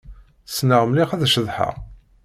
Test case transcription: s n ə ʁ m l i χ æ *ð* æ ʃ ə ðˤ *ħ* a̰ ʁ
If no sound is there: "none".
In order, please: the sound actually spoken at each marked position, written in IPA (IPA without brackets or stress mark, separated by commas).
ð, ħ